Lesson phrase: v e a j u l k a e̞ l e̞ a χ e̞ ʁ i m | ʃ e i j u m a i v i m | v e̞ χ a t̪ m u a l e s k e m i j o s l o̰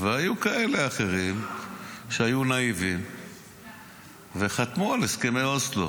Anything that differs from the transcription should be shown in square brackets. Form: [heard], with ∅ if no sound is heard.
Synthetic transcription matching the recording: v e a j u [∅] k a e̞ l e̞ a χ e̞ ʁ i m | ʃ e [a] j u [n] a i v i m | v e̞ χ a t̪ m u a l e s k e m [e] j o s l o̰